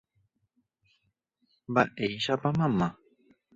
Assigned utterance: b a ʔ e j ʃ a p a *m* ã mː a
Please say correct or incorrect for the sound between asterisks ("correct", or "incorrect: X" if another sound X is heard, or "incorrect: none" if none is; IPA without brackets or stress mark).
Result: correct